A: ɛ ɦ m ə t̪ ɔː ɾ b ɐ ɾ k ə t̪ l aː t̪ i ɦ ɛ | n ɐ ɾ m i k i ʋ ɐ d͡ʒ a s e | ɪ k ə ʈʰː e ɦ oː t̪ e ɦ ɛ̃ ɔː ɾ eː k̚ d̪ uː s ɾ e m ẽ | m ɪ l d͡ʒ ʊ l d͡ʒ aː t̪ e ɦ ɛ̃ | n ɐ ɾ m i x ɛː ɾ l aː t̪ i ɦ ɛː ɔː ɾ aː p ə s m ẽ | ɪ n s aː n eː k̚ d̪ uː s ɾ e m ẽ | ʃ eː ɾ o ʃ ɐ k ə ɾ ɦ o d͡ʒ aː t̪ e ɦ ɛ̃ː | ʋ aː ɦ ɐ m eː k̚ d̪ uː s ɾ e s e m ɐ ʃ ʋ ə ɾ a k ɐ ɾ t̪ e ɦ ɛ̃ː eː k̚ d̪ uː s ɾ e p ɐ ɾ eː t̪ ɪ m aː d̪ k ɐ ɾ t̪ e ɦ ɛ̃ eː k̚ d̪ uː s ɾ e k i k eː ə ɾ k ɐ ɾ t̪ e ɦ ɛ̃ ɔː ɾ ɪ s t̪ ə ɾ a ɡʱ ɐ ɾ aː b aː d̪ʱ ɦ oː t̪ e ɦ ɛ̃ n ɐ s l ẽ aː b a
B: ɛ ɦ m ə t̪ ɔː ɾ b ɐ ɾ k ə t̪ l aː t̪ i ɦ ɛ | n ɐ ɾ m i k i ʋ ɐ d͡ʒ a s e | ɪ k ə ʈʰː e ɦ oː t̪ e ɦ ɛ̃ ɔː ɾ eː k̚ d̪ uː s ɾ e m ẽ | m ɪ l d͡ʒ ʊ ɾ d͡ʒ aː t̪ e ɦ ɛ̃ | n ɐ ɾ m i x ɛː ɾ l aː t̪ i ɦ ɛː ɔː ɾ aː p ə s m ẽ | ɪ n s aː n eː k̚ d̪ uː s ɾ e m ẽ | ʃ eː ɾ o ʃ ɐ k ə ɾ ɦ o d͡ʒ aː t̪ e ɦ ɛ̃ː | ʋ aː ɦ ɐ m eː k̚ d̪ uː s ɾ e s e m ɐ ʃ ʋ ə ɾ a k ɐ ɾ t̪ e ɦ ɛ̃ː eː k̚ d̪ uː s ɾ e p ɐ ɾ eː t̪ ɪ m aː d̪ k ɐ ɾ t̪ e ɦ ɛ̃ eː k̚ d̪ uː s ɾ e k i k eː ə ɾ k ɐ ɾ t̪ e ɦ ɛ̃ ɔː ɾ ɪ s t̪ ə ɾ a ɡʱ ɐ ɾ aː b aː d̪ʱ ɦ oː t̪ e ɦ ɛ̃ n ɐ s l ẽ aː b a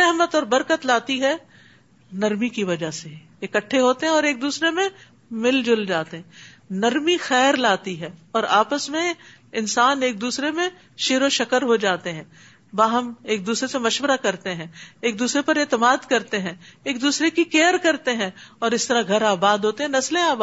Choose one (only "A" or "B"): A